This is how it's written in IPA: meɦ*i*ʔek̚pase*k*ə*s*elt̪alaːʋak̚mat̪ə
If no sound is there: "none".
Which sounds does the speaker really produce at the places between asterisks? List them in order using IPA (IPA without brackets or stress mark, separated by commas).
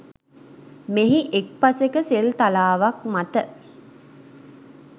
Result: i, k, s